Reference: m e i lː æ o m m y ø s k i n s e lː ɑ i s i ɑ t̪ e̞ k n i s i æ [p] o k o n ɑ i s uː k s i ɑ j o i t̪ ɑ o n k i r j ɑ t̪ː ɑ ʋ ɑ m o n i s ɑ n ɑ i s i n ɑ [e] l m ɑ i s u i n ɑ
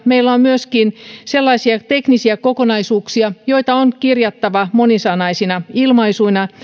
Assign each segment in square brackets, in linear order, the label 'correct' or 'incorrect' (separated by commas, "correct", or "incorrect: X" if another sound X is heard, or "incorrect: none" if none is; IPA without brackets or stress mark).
incorrect: k, incorrect: i